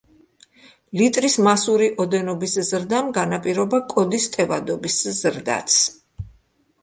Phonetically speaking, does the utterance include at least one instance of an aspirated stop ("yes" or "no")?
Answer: no